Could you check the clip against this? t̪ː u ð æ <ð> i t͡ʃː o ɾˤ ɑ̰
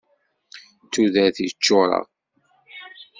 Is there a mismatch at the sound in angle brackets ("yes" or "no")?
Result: yes